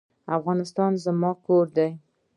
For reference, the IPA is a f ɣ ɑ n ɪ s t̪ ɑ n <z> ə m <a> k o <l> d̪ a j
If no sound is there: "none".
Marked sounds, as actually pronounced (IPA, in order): z, ɑ, ɾ

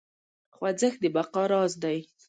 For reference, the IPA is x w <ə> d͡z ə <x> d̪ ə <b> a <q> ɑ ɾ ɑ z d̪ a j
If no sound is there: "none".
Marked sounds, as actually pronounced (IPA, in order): a, x, b, q

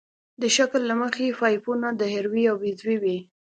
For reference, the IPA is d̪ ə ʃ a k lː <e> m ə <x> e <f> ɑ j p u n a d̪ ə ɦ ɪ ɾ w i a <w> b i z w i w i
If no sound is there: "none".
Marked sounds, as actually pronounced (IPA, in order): a, x, f, w

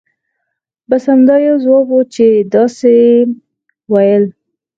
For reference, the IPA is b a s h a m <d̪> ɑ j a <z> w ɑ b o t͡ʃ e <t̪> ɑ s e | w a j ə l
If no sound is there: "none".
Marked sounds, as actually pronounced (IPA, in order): d̪, z, d̪

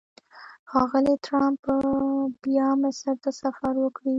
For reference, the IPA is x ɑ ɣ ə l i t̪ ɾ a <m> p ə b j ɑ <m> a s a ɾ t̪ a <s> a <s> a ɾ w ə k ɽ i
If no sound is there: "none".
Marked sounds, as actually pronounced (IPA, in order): m, m, s, f

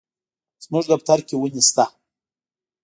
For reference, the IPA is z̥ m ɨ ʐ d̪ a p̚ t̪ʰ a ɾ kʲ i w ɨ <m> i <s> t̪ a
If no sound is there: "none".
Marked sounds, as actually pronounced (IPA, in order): n, s

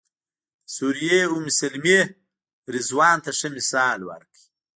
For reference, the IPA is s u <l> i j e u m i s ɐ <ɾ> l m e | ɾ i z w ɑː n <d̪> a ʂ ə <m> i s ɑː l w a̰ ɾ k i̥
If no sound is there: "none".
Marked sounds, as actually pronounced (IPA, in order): ɾ, none, t̪, m

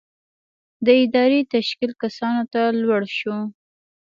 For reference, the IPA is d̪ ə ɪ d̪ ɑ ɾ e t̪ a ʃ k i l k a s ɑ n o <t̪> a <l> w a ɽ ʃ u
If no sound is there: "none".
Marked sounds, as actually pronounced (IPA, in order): t̪, l

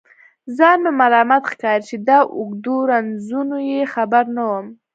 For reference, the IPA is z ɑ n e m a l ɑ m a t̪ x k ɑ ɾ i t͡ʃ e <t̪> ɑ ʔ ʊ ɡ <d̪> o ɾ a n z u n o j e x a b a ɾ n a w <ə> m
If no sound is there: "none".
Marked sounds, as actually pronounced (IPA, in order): d̪, d̪, ə

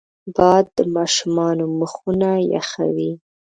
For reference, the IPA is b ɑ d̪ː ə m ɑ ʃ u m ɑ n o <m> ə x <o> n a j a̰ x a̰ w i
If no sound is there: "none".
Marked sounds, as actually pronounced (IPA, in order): m, u

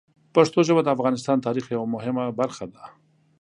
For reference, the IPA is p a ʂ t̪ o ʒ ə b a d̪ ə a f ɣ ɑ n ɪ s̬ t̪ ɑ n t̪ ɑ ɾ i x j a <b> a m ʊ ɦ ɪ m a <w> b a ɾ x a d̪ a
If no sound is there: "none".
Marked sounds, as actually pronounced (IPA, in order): w, none

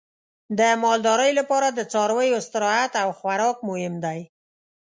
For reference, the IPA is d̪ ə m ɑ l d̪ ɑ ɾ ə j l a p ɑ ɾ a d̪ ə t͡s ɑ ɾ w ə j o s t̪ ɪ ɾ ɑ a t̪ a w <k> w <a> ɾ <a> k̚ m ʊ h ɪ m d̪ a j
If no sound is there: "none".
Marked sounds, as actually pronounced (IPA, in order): x, a, ɑ

